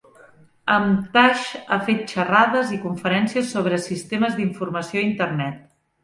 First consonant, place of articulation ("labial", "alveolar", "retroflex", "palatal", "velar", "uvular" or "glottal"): labial